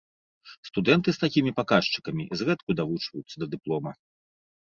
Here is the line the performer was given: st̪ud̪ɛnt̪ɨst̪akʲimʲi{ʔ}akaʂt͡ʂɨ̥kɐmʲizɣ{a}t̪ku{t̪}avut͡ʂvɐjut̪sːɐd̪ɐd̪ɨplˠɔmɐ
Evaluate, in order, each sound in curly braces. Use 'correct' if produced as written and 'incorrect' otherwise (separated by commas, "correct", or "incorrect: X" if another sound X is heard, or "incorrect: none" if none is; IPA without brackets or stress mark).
incorrect: p, incorrect: ɛ, incorrect: d̪